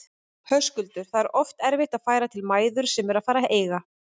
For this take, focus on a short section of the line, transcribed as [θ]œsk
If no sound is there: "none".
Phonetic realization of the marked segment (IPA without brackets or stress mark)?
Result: h